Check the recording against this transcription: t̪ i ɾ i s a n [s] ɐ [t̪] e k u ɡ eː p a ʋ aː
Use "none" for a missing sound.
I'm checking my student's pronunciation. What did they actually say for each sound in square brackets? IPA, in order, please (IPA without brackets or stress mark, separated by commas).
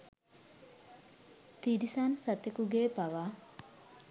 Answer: s, t̪